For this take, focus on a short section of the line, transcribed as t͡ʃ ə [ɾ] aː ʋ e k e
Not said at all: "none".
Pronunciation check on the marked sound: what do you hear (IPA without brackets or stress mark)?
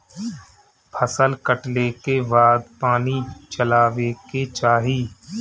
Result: l